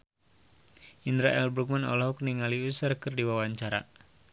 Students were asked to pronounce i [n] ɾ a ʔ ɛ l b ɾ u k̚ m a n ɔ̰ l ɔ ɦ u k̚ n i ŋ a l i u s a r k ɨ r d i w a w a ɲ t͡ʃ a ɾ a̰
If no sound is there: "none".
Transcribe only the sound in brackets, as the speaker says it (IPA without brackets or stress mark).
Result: n